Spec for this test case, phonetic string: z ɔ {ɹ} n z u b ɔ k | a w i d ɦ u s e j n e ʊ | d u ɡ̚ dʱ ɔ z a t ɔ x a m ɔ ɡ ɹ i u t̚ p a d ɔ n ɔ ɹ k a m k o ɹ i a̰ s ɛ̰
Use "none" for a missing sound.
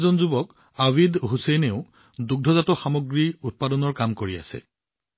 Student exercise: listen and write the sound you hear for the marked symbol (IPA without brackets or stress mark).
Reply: none